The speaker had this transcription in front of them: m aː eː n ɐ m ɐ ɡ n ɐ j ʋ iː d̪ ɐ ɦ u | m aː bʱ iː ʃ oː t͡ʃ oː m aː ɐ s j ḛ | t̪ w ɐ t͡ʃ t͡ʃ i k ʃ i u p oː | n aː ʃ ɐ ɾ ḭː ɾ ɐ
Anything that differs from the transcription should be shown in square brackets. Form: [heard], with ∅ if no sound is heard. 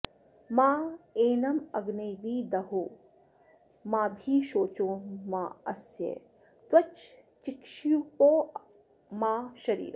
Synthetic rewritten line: m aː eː n ɐ m ɐ ɡ n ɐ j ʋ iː d̪ ɐ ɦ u | m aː bʱ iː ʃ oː t͡ʃ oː m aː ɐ s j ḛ | t̪ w ɐ t͡ʃ t͡ʃ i k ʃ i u p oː | [m] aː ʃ ɐ ɾ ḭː ɾ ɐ